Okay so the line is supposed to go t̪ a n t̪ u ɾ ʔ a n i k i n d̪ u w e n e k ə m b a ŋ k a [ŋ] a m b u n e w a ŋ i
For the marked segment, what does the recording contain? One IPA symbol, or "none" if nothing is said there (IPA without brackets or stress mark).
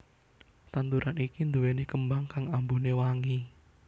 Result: ŋ